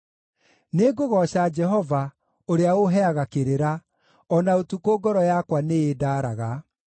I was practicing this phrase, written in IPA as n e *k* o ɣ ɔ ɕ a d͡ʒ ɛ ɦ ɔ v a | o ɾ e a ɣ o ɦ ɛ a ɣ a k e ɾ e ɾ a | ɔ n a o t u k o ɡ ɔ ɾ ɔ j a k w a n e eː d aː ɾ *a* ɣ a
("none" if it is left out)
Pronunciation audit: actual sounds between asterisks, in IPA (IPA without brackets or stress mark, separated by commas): ɡ, a